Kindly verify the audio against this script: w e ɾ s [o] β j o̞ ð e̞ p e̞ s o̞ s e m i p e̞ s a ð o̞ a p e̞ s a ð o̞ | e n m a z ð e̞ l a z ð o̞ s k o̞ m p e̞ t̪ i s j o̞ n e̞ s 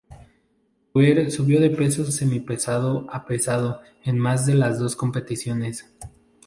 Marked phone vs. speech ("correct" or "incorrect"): incorrect